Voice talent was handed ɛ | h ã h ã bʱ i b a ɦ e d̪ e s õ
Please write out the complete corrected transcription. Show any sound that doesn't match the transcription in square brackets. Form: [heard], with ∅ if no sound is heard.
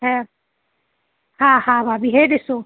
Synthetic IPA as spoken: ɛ | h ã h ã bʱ [a] b [i] ɦ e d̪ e s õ